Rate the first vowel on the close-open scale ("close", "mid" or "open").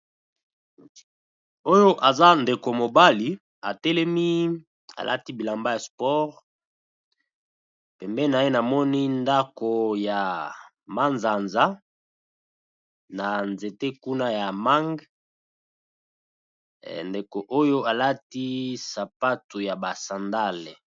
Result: mid